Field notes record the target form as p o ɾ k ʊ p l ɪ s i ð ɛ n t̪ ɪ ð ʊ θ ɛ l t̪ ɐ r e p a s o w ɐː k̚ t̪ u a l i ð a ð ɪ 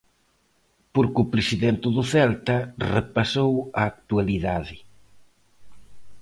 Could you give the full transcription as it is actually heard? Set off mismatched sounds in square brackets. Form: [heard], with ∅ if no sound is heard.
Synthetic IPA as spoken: p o ɾ k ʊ p [ɾ] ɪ s i ð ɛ n t̪ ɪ ð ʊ θ ɛ l t̪ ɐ r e p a s o w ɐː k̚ t̪ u a l i ð a ð ɪ

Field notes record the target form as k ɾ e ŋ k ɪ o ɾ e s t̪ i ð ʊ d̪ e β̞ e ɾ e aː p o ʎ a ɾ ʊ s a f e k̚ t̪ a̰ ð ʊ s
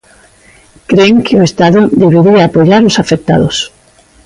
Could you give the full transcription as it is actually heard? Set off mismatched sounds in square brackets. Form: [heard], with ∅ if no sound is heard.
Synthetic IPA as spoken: k ɾ e ŋ k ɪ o [∅] e s t̪ [a] ð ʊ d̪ e β̞ e ɾ [i] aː p o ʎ a ɾ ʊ s a f e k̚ t̪ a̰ ð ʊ s

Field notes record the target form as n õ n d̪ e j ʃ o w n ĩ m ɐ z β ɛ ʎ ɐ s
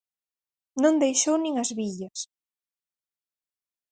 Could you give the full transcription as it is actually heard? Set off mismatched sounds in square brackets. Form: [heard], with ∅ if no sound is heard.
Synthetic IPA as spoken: n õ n d̪ e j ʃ o w n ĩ [ŋ] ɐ z β [i] ʎ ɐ s

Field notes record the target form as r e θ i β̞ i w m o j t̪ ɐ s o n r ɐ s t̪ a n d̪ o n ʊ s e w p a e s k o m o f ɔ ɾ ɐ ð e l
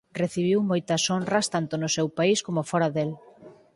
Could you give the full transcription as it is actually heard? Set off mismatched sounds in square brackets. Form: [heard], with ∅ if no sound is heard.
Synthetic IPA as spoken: r e θ i β̞ i w m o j t̪ ɐ s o n r ɐ s t̪ a n [t̪] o n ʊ s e w p a [i] s k o m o f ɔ ɾ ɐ ð e l

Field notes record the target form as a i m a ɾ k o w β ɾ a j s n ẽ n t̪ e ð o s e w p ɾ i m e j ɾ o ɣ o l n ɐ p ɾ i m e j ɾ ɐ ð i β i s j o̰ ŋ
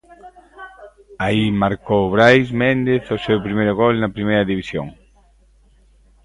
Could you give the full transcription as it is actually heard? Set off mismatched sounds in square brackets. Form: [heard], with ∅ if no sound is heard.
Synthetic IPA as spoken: a i m a ɾ k o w β ɾ a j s [m] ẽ n [d̪] e [θ] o s e w p ɾ i m e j ɾ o ɣ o l n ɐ p ɾ i m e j ɾ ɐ ð i β i s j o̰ ŋ

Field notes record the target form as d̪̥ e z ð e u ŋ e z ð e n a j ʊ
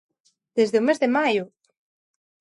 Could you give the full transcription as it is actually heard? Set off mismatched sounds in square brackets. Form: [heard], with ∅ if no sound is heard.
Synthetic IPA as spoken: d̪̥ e z ð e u [m] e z ð e [m] a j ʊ

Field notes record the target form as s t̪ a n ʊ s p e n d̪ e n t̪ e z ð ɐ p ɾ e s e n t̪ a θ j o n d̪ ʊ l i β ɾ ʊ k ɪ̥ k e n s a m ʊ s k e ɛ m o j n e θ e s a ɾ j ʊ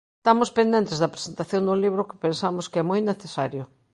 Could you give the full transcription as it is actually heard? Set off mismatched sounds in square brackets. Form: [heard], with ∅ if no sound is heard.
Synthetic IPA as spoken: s t̪ a [m] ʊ s p e n d̪ e n t̪ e z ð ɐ p ɾ e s e n t̪ a θ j o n d̪ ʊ l i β ɾ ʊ k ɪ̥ [p] e n s a m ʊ s k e ɛ m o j n e θ e s a ɾ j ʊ

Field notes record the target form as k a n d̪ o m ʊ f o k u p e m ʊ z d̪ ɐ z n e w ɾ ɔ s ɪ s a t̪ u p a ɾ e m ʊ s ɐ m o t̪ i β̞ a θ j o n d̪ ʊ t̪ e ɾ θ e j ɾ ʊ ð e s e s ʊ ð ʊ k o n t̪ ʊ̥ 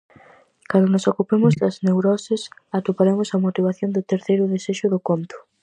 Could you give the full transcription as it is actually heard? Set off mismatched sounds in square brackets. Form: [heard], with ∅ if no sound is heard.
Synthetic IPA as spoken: k a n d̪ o [n] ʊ [s] o k u p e m ʊ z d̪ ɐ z n e w ɾ ɔ s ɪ s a t̪ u p a ɾ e m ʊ s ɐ m o t̪ i β̞ a θ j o n d̪ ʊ t̪ e ɾ θ e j ɾ ʊ ð e s e [ʃ] ʊ ð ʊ k o n t̪ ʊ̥

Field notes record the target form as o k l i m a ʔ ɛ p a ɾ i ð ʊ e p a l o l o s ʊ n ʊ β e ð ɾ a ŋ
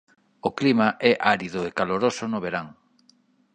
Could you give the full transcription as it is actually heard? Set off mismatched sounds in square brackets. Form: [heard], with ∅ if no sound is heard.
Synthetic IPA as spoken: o k l i m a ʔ ɛ [ʔ] a ɾ i ð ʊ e [k] a l o [ɾ] o s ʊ n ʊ β e [∅] ɾ a ŋ

